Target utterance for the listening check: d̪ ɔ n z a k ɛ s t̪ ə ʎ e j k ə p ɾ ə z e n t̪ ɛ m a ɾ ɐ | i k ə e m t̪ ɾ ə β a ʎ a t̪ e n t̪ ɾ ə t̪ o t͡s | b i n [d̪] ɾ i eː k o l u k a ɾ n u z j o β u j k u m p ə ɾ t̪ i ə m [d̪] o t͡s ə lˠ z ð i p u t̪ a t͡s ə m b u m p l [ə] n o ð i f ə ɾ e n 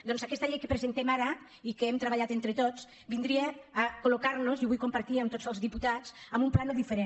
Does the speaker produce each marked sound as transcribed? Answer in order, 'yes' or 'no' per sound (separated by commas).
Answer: yes, no, no